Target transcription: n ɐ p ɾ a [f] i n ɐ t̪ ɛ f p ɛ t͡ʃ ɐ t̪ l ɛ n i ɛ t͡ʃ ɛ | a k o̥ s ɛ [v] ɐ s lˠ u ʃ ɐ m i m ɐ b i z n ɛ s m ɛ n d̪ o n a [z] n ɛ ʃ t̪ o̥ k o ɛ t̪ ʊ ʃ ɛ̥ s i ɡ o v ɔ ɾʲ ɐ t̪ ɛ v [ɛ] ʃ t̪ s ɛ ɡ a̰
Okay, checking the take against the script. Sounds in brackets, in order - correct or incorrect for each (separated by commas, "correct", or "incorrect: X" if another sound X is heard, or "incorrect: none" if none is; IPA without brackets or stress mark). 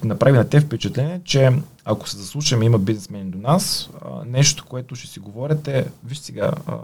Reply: incorrect: v, incorrect: z, incorrect: s, incorrect: i